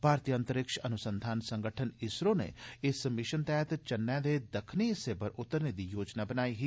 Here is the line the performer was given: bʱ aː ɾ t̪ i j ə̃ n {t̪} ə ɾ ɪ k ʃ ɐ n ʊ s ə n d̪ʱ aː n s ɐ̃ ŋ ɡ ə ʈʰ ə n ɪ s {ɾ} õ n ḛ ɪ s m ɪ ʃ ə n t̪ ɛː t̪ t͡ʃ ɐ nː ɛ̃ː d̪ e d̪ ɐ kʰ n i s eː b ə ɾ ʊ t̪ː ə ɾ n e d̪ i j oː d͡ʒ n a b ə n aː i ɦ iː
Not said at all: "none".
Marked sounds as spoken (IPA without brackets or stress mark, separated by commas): t̪, ɾ